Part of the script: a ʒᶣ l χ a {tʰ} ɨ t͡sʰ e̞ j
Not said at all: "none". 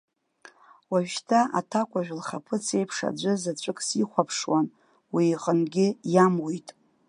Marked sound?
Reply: pʰ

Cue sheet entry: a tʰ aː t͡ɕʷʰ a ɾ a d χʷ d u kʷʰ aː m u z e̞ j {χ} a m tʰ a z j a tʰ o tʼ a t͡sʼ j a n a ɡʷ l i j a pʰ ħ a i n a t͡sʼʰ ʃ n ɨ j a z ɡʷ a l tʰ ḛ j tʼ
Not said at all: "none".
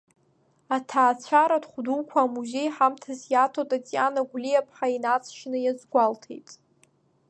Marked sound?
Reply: ħ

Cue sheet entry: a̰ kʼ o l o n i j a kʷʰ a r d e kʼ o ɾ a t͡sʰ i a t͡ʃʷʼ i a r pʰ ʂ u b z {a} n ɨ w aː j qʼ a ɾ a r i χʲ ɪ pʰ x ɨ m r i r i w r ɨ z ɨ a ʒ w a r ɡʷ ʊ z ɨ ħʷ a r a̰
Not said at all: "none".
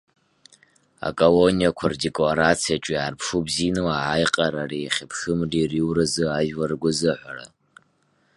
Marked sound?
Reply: i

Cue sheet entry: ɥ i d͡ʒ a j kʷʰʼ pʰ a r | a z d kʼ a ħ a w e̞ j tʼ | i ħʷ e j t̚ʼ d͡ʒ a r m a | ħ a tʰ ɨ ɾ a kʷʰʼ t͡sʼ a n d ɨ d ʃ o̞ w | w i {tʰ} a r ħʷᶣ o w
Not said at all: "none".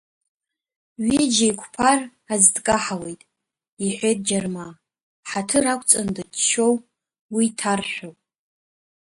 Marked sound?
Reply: tʰ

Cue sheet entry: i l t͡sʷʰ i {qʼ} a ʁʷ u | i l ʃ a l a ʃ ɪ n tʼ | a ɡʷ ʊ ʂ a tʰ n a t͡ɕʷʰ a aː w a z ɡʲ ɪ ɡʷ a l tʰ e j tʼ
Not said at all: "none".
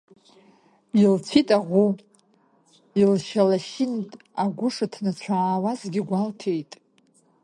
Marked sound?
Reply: tʼ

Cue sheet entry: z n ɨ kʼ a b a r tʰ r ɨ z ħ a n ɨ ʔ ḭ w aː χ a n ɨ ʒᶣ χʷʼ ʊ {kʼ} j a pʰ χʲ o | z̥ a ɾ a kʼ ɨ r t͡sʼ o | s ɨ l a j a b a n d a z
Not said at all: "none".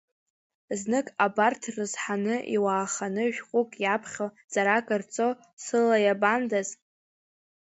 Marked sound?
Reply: kʼ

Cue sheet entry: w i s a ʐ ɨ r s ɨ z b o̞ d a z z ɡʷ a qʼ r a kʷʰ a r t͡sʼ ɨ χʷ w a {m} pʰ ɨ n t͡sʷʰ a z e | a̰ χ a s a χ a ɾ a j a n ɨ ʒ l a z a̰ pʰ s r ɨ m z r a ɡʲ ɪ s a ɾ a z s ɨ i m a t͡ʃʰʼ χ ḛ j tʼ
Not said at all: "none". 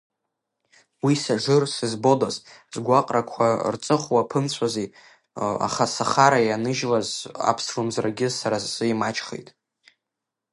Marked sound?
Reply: none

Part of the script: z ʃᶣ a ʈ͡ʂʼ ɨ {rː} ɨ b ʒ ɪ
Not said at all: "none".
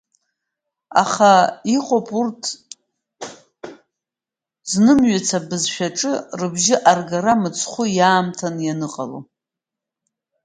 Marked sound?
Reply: r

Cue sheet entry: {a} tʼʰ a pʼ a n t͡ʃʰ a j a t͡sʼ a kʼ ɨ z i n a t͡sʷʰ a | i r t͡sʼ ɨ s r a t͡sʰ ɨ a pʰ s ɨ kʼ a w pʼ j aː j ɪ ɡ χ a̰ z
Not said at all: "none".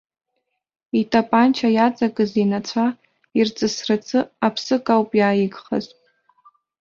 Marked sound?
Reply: i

